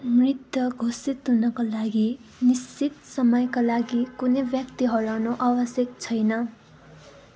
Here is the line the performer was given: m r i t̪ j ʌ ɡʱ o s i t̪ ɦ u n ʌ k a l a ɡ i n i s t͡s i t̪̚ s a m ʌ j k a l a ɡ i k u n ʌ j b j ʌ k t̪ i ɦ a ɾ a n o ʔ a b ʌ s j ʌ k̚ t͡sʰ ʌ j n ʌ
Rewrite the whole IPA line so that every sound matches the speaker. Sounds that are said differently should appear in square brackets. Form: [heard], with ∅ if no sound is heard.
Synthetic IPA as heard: m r i t̪ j ʌ ɡʱ o s i t̪ ɦ u n ʌ k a l a ɡ i n i s t͡s i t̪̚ s [ʌ] m ʌ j k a l a ɡ i k u n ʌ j b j ʌ k t̪ i ɦ [ʌ] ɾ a n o ʔ a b ʌ s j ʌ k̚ t͡sʰ ʌ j n ʌ